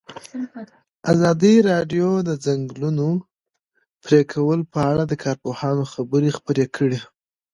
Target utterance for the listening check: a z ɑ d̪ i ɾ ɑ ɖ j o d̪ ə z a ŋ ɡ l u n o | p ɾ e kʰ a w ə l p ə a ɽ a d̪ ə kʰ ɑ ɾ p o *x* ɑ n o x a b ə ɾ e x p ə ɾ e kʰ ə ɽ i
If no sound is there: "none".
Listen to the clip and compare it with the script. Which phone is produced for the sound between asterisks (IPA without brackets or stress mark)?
h